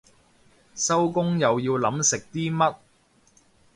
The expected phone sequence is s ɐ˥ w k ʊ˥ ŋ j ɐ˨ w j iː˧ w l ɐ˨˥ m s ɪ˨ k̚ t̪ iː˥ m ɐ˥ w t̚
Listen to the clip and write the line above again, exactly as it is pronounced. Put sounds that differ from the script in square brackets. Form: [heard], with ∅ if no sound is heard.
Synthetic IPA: s ɐ˥ w k ʊ˥ ŋ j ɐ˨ w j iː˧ w l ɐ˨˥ m s ɪ˨ k̚ t̪ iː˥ m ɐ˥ [∅] t̚